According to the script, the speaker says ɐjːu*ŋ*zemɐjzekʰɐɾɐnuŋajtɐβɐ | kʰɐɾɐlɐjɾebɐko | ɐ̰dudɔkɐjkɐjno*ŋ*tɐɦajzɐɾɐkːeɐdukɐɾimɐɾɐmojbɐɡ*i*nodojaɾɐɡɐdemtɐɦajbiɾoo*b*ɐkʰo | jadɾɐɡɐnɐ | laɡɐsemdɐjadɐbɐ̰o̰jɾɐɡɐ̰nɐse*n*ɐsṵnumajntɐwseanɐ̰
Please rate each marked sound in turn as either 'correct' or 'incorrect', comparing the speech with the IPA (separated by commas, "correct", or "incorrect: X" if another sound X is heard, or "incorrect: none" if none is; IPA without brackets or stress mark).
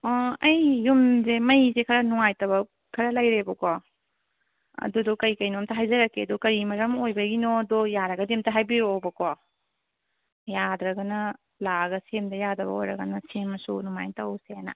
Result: incorrect: m, incorrect: m, correct, correct, incorrect: m